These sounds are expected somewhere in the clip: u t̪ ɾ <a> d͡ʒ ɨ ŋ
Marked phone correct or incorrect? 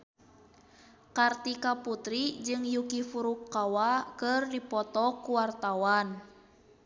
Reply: incorrect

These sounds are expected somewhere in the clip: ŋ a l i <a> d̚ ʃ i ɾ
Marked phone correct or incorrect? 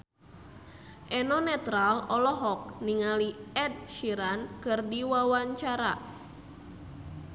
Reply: incorrect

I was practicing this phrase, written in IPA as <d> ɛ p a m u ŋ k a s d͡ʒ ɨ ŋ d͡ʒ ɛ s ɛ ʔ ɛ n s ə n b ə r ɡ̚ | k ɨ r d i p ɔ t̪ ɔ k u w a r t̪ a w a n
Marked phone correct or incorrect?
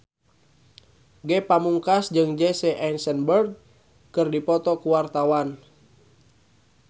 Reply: incorrect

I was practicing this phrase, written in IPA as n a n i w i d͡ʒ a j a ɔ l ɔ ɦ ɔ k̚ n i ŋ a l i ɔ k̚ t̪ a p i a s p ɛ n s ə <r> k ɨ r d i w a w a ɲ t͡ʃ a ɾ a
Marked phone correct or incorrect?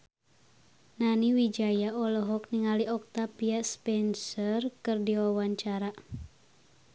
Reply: correct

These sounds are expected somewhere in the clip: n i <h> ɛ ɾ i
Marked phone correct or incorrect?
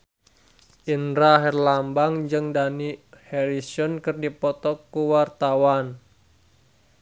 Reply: correct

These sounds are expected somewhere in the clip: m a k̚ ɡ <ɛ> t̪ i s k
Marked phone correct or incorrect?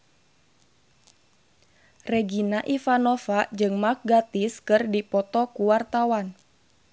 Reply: incorrect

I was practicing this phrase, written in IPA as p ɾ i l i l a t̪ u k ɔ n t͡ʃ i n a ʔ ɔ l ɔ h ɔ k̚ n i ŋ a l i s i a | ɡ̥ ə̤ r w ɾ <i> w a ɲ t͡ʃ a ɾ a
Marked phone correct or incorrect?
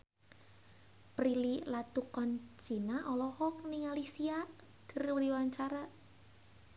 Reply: correct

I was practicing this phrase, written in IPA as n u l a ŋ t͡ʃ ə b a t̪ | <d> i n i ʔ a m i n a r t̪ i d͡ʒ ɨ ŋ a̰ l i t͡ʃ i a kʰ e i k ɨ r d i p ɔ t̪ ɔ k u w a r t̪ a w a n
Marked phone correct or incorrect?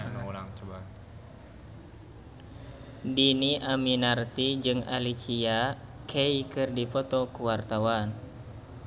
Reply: correct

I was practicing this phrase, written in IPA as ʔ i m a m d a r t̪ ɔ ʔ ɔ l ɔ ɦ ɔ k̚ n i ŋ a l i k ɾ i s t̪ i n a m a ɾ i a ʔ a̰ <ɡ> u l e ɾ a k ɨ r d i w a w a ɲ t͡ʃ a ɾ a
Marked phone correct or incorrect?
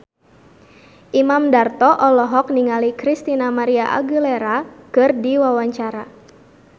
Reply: correct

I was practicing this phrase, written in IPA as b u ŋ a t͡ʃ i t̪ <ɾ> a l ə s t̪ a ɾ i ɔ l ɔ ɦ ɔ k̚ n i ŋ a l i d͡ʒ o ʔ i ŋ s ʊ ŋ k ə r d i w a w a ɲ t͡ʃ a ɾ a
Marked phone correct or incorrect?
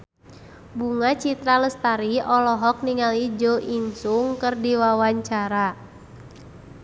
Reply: correct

